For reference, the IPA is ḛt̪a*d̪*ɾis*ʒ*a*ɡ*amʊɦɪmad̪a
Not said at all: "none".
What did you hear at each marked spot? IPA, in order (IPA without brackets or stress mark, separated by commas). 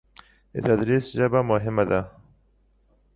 d̪, ʒ, b